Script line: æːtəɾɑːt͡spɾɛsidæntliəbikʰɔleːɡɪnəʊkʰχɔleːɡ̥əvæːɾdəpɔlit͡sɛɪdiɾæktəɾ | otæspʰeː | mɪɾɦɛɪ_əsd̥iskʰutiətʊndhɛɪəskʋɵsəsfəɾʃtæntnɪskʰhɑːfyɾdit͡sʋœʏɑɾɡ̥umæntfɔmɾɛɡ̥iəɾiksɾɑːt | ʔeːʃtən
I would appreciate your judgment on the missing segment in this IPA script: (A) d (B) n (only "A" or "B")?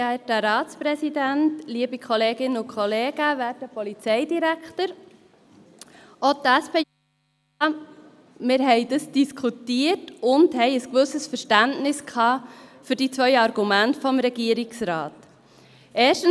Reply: A